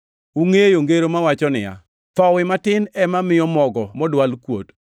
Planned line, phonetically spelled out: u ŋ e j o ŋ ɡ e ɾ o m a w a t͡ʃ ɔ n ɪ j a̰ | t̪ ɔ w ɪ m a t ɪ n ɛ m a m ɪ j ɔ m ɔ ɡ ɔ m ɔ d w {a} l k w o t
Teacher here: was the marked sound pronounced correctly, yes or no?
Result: yes